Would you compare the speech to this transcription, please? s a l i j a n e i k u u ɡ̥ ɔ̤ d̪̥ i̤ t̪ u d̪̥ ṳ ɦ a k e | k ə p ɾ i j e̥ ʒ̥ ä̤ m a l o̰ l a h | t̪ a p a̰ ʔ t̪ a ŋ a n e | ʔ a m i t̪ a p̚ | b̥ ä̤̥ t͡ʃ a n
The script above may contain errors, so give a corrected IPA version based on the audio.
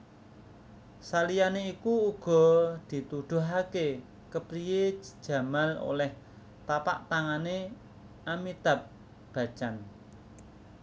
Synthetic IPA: s a l i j a n e i k u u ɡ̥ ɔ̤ d̪̥ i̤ t̪ u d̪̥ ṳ ɦ a k e | k ə p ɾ i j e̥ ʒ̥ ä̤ m a l o̰ l ɛ h | t̪ a p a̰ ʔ t̪ a ŋ a n e | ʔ a m i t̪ a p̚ | b̥ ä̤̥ t͡ʃ a n